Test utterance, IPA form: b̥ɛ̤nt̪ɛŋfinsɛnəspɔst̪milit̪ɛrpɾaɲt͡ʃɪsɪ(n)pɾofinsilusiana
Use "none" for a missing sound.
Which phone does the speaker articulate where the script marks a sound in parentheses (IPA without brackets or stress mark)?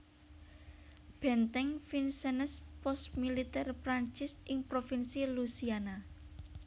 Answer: ŋ